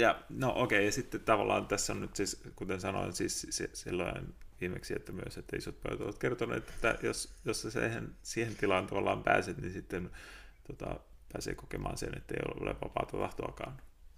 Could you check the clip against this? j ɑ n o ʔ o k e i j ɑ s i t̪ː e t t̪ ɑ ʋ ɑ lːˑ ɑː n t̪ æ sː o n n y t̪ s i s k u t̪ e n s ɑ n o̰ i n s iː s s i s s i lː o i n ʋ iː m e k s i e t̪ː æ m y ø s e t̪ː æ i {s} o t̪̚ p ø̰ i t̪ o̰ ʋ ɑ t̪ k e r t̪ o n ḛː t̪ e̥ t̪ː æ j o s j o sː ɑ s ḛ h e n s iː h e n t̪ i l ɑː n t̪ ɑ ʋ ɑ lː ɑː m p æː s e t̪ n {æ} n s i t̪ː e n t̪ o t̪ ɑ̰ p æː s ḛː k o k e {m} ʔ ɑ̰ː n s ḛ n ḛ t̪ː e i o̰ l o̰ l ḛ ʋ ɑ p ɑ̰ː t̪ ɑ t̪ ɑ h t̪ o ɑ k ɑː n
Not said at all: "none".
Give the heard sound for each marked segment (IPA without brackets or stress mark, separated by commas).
s, i, m